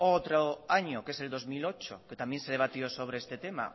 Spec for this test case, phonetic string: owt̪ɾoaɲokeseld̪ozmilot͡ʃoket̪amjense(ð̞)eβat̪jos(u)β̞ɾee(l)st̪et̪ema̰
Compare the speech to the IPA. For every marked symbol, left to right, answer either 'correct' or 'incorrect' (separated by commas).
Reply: correct, incorrect, incorrect